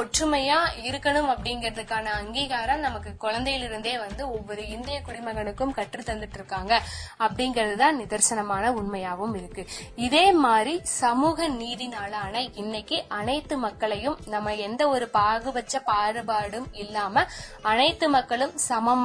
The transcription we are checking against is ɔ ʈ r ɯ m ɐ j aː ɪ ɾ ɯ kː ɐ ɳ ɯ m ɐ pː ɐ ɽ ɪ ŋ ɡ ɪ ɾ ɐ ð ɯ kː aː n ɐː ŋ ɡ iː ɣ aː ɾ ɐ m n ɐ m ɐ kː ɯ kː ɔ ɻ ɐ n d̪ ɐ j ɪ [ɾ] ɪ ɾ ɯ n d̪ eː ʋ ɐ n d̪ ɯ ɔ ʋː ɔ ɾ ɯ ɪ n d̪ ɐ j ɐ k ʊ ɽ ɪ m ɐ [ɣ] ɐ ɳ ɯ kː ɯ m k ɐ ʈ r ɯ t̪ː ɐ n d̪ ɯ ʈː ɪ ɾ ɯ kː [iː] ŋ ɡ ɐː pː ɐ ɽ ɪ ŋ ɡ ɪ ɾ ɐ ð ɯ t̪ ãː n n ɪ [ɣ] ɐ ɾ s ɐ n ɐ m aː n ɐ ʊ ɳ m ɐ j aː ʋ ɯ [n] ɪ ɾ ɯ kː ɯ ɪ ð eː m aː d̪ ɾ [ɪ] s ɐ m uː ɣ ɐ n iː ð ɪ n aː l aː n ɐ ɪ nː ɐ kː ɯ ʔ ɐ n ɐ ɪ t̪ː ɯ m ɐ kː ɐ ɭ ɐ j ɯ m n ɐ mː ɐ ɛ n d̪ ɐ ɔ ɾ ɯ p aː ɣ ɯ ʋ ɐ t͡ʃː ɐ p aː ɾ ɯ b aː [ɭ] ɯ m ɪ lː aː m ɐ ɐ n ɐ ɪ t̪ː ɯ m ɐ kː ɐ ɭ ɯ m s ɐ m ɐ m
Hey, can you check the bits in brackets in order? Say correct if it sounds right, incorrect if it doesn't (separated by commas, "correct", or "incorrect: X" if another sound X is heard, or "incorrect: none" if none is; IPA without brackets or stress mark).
incorrect: l, correct, incorrect: aː, incorrect: ð, incorrect: m, incorrect: i, incorrect: ɽ